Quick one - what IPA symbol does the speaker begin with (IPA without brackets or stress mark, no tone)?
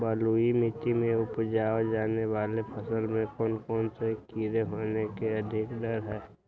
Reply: b